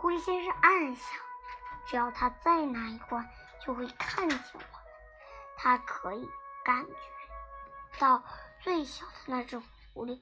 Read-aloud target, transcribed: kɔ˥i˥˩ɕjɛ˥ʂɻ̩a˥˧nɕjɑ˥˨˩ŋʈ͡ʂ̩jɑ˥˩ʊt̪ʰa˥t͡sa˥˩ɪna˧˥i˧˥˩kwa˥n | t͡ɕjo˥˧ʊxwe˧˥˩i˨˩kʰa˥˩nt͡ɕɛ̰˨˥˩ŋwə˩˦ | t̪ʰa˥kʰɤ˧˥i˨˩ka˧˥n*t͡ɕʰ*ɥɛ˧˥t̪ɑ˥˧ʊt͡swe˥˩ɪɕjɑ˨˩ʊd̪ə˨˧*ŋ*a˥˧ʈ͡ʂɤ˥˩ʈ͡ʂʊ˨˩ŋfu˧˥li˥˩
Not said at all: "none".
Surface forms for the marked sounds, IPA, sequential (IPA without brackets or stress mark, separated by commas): t͡ɕ, n